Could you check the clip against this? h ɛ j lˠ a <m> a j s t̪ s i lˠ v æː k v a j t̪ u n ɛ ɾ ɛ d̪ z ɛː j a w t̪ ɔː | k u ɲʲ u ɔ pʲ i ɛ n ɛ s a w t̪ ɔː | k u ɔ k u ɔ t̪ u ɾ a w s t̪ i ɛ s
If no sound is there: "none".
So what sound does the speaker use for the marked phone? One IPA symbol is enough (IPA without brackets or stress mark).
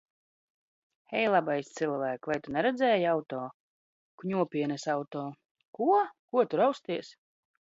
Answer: b